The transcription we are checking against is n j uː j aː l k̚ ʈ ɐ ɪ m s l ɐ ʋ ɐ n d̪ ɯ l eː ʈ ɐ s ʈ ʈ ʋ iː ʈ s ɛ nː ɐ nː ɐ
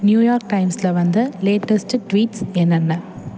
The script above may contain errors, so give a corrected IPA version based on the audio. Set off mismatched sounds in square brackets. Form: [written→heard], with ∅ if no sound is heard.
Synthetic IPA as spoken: n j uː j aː [l→ɾ] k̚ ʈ ɐ ɪ m s l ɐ ʋ ɐ n d̪ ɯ l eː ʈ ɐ s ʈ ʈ ʋ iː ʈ s ɛ nː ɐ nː ɐ